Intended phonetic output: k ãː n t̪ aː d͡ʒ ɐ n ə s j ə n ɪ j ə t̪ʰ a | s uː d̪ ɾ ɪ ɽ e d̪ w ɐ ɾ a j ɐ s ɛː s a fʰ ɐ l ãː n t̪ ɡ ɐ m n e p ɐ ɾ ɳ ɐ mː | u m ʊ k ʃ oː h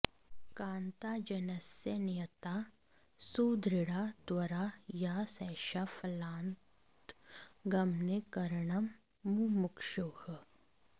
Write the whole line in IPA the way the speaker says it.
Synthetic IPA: k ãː n t̪ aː d͡ʒ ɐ n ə s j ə n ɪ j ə t̪ a | s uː d̪ ɾ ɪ ɽ a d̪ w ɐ ɾ a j a s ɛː ʃ a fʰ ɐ l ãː n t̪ ɡ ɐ m n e k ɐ ɾ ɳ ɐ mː | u m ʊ k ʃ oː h